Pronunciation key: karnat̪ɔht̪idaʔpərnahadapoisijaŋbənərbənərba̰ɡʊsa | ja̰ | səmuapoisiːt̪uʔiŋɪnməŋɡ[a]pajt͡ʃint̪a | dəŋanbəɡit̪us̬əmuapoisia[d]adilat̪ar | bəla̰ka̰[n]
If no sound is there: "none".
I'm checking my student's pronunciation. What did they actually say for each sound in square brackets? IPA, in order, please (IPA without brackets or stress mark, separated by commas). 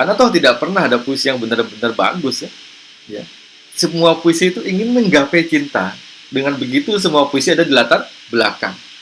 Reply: a, d, ŋ